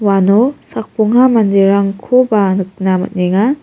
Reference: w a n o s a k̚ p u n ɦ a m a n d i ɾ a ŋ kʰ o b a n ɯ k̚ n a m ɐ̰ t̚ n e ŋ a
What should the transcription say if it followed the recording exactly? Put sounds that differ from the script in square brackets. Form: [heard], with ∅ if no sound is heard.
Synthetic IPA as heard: w a n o s a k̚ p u [ŋ] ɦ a m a n d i ɾ a ŋ kʰ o b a n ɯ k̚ n a m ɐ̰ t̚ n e ŋ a